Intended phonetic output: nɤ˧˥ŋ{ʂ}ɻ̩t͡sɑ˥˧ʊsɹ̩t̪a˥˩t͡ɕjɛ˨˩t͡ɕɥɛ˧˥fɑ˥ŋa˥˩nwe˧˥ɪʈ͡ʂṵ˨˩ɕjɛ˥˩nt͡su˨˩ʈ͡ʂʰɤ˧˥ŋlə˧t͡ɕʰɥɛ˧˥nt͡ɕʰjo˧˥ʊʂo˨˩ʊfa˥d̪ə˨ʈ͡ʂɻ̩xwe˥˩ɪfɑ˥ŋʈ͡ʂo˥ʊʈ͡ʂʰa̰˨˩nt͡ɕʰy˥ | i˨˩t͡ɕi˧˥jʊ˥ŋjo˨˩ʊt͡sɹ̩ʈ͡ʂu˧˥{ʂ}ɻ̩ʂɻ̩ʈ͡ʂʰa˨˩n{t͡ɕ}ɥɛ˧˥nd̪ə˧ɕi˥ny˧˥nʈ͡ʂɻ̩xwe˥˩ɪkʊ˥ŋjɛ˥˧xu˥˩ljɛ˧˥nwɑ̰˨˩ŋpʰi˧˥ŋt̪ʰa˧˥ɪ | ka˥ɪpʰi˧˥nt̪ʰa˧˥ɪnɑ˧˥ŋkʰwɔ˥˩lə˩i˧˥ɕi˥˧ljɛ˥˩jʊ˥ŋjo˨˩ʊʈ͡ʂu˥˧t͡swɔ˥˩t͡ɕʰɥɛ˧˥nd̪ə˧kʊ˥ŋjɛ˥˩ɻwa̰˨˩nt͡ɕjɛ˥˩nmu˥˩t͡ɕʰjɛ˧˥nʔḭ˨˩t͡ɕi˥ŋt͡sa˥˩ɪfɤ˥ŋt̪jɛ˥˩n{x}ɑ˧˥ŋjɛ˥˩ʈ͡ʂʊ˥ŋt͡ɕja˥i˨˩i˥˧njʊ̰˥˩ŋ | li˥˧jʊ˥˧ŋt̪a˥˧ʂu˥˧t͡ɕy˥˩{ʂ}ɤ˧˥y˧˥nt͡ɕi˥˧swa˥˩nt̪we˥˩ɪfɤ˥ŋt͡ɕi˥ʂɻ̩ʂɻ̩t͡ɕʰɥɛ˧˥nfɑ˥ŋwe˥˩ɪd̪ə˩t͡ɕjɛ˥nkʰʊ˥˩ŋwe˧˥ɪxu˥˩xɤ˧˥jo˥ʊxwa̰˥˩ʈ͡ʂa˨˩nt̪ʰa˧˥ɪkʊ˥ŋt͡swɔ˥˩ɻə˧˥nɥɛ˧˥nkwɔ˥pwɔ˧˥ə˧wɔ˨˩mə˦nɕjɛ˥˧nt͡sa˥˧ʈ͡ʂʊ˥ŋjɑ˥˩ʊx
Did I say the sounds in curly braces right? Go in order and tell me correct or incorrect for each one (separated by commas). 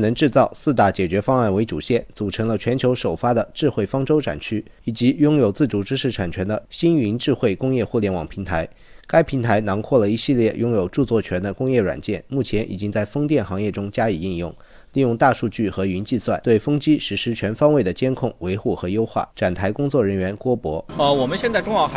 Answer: incorrect, incorrect, incorrect, correct, incorrect